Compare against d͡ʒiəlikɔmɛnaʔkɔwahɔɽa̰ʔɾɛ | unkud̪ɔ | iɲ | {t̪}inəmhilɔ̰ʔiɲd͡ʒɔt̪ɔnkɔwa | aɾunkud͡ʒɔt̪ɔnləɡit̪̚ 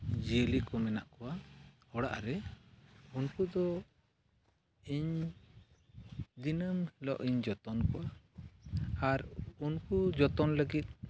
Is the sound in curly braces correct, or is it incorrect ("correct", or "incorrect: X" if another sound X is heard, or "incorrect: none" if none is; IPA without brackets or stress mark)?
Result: incorrect: d̪